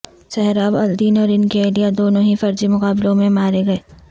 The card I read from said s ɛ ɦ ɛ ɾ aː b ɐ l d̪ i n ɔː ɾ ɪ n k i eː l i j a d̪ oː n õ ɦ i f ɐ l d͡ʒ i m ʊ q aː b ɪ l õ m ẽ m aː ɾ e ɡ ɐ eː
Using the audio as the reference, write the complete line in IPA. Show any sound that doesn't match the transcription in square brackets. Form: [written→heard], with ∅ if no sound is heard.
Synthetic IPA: s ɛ ɦ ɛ ɾ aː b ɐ l d̪ [i→iː] n ɔː ɾ ɪ n k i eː l i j a d̪ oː n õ ɦ i f ɐ [l→ɾ] d͡ʒ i m ʊ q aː b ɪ l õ m ẽ m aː ɾ e ɡ ɐ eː